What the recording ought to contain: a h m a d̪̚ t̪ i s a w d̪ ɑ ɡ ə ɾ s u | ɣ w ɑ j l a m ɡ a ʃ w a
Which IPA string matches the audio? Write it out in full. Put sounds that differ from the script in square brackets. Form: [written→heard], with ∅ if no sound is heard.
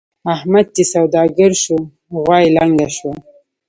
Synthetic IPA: a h m a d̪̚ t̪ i s a w d̪ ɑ ɡ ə ɾ [s→ʃ] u | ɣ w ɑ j l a [m→ŋ] ɡ a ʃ w a